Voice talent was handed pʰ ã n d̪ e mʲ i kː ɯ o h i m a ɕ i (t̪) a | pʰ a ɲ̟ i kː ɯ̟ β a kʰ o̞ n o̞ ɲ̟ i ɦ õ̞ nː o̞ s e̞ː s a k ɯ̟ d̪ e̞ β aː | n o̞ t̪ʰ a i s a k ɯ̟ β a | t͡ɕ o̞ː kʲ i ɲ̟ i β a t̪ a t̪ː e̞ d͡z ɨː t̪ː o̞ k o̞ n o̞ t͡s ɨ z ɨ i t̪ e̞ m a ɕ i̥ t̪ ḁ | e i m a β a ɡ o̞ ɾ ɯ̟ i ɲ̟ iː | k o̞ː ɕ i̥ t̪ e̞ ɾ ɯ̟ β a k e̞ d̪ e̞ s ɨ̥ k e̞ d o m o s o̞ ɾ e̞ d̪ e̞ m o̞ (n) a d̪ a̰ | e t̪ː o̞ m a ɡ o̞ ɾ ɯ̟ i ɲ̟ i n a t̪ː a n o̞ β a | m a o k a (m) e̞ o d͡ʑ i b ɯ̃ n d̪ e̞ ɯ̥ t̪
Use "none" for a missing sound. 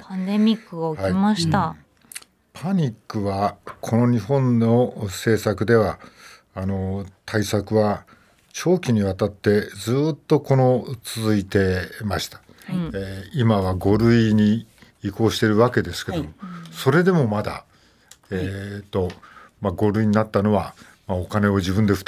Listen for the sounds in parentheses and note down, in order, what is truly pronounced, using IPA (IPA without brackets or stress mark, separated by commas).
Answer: t̪, m, n